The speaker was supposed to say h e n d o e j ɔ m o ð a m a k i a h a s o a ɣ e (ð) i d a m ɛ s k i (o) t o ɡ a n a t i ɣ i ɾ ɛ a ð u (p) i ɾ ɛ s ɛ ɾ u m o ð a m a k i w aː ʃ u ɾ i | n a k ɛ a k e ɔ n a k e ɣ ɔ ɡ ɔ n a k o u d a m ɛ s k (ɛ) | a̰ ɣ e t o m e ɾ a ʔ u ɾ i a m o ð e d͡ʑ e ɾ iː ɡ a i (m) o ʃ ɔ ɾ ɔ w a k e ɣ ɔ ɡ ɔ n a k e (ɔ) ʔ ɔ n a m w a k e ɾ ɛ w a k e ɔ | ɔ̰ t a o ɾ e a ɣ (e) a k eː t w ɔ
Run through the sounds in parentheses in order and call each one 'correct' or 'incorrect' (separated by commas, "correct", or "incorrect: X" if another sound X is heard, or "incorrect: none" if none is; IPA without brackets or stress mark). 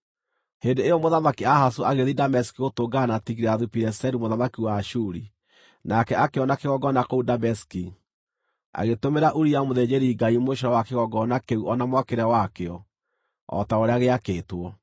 correct, correct, correct, incorrect: i, correct, incorrect: u, correct